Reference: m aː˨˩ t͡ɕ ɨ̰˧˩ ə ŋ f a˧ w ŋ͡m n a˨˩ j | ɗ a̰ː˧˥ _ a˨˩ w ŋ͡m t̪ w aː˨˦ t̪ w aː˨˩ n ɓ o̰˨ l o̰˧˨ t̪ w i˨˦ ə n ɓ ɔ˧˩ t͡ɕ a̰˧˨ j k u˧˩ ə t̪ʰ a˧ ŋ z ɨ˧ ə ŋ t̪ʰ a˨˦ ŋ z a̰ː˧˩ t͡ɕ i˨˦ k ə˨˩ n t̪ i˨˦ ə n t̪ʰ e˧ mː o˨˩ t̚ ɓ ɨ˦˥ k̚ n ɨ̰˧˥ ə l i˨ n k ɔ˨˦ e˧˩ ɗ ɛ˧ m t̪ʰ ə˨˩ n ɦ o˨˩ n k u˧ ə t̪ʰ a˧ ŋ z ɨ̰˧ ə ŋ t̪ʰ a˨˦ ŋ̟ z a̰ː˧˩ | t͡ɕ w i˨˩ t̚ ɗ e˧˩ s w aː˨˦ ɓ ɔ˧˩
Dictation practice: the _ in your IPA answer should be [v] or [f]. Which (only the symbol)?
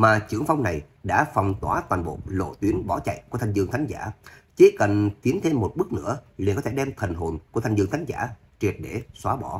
f